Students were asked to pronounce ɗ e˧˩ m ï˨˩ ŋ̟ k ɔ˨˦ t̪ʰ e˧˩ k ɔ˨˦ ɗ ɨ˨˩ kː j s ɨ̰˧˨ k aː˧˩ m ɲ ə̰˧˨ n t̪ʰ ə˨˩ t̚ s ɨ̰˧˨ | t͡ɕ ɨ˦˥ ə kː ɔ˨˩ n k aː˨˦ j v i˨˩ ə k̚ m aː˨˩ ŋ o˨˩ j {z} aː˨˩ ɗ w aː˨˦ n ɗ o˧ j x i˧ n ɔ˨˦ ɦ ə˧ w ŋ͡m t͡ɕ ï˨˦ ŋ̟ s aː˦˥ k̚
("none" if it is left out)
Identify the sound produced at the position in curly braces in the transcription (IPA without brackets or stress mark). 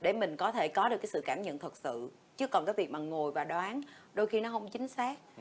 v